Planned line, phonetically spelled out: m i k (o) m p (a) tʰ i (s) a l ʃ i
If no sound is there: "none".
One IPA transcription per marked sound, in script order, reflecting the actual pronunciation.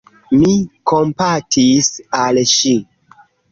o, a, s

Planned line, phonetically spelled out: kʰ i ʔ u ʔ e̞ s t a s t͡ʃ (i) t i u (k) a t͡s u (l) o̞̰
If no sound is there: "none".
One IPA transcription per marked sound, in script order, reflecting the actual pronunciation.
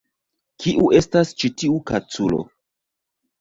i, k, l

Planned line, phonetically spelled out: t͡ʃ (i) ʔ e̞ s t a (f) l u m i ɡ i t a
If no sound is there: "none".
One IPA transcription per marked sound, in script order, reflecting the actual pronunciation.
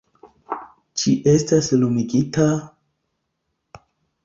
i, s

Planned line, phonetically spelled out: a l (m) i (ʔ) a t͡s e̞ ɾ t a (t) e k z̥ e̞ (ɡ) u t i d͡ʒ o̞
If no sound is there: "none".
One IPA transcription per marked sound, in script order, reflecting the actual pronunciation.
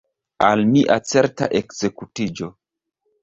m, ʔ, ʔ, k

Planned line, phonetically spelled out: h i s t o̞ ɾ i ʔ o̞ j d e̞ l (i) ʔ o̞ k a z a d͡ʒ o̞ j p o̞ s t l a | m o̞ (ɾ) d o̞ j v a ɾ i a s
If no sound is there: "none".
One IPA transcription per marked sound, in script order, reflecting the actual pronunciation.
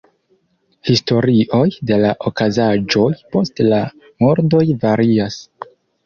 a, ɾ

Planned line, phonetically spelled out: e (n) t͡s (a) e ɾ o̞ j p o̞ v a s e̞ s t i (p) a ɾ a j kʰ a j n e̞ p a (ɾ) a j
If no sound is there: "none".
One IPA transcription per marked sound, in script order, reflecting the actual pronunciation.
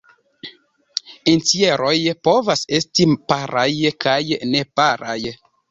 n, i, p, ɾ

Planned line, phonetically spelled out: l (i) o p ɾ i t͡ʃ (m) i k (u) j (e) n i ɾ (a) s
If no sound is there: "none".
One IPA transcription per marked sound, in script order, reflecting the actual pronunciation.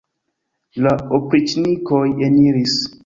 a, n, o, e, i

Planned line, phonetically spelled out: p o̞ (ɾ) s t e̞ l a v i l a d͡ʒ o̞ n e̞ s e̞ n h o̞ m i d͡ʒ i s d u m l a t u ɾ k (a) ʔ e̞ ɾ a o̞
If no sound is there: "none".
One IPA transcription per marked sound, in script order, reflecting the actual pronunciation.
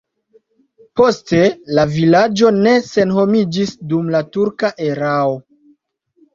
none, a

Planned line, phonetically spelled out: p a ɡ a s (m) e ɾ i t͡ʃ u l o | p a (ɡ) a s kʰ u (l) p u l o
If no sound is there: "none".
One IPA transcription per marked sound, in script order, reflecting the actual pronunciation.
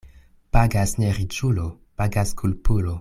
n, ɡ, l

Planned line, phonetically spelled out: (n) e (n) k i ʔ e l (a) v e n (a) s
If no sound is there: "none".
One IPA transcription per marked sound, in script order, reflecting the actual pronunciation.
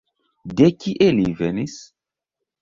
d, none, i, i

